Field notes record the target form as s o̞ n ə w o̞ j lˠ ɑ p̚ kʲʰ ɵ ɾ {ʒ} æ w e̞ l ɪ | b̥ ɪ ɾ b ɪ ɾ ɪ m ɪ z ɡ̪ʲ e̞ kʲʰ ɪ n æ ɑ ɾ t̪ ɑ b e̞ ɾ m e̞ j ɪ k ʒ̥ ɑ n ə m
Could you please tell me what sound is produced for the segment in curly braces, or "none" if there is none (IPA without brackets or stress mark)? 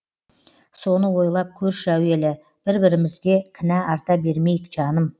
ʃ